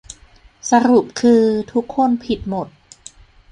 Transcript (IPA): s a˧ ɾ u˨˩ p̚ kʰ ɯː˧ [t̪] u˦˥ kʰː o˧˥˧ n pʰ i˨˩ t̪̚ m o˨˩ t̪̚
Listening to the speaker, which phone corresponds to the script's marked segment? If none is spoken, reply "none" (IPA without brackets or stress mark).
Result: t̪ʰ